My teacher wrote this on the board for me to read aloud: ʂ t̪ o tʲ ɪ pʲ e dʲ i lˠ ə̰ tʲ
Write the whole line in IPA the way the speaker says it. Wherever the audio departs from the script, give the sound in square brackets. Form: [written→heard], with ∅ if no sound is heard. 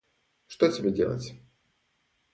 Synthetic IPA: ʂ t̪ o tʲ ɪ [pʲ→bʲ] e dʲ [i→e] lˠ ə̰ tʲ